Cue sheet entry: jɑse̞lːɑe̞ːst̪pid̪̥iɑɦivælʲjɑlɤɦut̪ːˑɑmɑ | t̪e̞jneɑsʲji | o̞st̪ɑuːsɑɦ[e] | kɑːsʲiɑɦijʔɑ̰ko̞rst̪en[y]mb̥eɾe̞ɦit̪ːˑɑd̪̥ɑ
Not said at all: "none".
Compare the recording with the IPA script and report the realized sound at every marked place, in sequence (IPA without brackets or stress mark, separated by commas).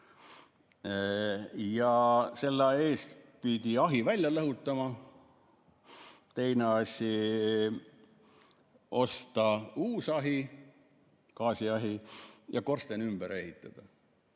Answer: i, y